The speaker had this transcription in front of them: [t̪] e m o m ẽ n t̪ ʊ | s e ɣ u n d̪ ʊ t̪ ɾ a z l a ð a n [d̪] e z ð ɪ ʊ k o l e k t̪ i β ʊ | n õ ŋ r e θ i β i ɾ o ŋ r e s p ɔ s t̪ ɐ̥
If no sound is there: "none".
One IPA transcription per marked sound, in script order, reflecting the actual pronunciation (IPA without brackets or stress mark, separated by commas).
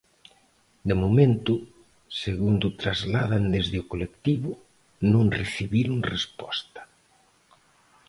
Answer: d̪, d̪